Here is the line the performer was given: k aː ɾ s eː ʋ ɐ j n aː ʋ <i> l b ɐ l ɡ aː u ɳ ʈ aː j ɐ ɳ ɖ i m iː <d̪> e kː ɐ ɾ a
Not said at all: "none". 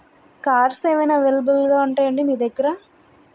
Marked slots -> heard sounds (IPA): e, d̪

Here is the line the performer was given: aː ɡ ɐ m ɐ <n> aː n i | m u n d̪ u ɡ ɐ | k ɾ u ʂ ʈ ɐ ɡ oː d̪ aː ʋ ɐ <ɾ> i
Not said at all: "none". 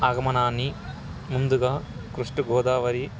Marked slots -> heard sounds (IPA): n, ɾ

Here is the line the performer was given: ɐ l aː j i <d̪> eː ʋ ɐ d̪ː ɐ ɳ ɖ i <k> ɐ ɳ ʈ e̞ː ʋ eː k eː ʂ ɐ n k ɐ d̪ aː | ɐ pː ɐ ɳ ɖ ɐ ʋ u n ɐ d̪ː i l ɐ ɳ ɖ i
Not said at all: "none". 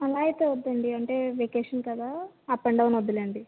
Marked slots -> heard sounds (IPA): t̪, none

